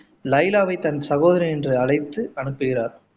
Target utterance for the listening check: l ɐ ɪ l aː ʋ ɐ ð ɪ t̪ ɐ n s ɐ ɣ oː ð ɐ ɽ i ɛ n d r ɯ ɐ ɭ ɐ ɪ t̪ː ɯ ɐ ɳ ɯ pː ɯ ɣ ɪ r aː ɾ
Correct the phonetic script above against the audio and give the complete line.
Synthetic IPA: l ɐ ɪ l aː ʋ ɐ ɪ t̪ ɐ n s ɐ ɣ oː ð ɐ ɾ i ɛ n d r ɯ ɐ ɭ ɐ ɪ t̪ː ɯ ɐ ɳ ɯ pː ɯ ɣ ɪ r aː ɾ